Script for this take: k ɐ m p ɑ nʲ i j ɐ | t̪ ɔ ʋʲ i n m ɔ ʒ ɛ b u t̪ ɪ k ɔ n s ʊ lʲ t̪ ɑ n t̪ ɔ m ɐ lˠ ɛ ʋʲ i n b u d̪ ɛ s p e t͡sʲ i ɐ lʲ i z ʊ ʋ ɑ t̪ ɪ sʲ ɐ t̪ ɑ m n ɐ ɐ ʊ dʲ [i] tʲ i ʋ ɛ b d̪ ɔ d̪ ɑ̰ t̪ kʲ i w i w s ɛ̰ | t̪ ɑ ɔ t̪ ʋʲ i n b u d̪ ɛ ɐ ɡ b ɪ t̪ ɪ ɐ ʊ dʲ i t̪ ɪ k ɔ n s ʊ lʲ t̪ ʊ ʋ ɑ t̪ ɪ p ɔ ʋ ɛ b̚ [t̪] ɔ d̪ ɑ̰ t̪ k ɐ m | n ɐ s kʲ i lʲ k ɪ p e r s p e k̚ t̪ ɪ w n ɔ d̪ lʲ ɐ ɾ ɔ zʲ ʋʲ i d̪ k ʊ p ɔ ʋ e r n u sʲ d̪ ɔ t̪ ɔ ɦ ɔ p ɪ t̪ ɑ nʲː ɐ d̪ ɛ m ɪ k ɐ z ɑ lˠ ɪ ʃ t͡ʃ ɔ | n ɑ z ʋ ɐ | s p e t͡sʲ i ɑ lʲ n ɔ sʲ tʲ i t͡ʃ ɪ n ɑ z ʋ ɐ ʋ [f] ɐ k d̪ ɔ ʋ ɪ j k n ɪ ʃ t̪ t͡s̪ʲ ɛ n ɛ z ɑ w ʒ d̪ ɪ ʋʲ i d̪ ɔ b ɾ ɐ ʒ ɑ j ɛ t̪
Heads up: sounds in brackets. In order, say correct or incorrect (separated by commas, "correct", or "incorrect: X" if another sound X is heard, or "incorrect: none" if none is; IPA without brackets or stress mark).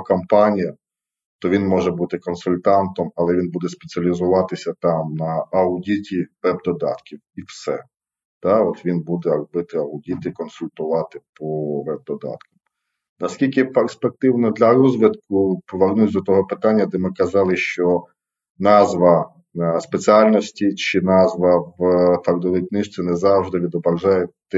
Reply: correct, incorrect: d̪, correct